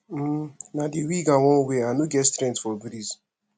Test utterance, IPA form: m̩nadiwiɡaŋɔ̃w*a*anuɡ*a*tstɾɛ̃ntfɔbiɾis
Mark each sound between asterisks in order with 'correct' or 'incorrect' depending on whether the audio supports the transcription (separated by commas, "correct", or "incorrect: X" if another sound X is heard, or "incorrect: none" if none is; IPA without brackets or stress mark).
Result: incorrect: e, incorrect: ɛ